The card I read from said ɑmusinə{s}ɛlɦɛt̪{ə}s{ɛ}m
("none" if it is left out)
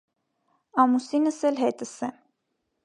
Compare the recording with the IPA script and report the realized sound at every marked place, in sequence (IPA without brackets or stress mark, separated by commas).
s, ə, ɛ